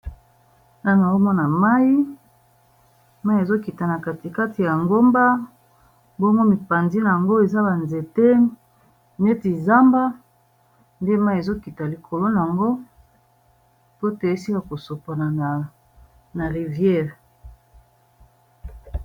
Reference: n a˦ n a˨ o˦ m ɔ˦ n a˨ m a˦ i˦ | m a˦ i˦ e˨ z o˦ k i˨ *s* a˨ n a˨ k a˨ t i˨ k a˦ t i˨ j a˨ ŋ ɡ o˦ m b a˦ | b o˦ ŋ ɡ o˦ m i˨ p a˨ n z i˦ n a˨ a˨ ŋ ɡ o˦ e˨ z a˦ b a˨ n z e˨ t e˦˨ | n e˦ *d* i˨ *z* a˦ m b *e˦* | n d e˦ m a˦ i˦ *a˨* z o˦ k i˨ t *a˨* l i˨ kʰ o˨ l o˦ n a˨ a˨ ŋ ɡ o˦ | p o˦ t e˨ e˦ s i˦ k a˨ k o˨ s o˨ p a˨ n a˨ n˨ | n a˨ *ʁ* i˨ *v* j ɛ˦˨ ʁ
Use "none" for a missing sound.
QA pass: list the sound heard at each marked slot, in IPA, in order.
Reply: t, t, z, a˦, e˨, a˨, ʁ, v

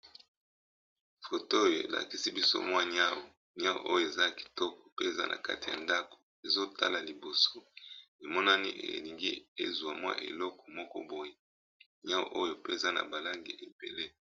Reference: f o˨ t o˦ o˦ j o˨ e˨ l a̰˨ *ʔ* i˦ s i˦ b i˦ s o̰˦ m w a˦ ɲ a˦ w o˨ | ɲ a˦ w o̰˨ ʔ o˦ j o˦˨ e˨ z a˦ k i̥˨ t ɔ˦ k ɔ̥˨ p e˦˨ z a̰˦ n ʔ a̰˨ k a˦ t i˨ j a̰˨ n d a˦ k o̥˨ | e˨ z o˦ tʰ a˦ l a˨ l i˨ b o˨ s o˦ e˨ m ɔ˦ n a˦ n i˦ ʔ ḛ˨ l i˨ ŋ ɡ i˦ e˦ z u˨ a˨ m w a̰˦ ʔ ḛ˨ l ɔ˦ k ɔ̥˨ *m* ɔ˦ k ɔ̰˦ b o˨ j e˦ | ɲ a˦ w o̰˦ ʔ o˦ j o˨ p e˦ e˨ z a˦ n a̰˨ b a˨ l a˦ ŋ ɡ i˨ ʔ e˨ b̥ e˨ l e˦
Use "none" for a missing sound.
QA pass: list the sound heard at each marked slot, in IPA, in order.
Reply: k, m

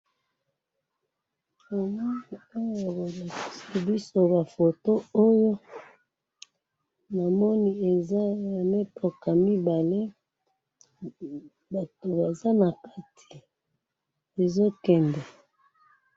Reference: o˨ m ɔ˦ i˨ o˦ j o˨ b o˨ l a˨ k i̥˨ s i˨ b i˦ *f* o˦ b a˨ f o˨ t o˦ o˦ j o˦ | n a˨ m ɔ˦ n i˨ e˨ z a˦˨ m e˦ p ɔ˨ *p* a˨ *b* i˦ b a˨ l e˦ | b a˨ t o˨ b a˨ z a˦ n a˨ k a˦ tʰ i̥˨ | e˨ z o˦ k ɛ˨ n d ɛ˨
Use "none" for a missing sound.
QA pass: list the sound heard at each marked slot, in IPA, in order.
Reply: s, k, m

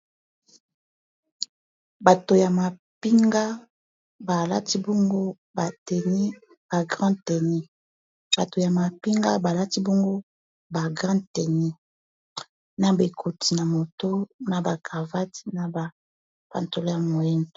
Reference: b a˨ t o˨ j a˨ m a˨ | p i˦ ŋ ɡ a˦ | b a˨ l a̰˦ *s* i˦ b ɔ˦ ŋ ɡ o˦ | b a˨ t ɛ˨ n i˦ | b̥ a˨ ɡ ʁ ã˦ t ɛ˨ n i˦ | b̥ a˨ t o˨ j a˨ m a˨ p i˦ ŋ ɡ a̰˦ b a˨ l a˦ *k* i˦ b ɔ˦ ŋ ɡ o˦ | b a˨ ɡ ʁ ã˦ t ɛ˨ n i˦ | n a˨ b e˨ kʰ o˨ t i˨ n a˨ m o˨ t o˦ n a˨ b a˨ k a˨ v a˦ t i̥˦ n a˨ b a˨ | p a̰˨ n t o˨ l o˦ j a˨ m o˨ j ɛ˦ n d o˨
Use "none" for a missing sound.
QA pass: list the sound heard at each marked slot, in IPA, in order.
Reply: t, t

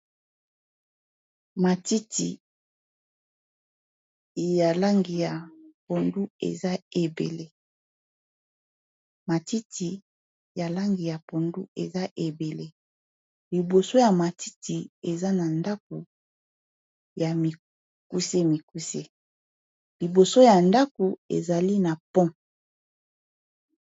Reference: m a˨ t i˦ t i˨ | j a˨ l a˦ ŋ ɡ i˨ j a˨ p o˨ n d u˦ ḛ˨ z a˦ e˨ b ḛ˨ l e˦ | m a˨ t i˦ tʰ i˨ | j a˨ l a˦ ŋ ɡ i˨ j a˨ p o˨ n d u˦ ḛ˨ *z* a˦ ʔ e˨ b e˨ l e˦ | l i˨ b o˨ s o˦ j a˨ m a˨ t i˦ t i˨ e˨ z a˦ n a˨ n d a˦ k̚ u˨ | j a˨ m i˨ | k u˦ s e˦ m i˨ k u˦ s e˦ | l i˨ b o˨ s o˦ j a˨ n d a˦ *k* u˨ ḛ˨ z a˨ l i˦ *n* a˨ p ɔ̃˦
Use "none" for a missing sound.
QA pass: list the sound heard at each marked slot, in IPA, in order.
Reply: z, k, n

